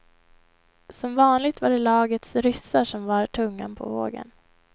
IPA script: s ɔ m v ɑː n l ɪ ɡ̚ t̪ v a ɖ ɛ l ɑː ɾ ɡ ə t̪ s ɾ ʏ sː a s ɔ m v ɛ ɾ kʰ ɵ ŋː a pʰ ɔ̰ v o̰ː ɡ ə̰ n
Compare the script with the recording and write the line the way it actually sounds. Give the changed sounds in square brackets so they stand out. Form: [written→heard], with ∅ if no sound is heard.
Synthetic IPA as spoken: s ɔ m v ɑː n l ɪ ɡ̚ t̪ v a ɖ ɛ l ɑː [ɾ→∅] ɡ ə t̪ s ɾ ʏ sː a [s→ʂ] ɔ m v [ɛ→a] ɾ [kʰ→ʈʰ] ɵ ŋː a pʰ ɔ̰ v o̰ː ɡ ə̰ n